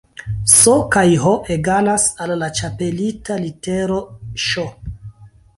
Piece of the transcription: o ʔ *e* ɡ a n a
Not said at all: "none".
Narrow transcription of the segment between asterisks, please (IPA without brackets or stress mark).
e